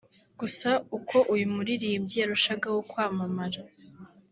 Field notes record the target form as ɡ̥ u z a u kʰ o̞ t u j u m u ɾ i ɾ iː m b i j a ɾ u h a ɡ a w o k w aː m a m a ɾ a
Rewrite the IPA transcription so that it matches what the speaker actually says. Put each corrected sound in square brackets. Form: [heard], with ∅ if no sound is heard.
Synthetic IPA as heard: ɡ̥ u [s] a u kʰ o̞ [ʔ] u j u m u ɾ i ɾ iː m [ɟ] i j a ɾ u [ʃ] a ɡ a w o k w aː m a m a ɾ a